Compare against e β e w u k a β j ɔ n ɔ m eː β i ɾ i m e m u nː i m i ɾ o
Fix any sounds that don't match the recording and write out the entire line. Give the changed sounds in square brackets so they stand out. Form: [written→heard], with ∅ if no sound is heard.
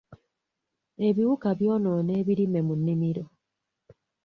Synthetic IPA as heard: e β [e→i] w u k a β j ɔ n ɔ [m→n] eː β i ɾ i m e m u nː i m i ɾ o